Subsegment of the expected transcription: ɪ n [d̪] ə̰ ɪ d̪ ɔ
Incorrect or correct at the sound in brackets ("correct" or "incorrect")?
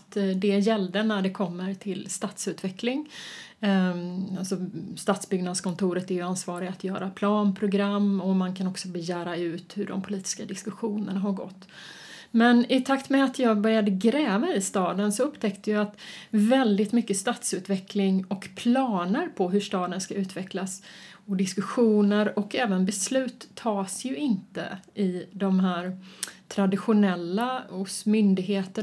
incorrect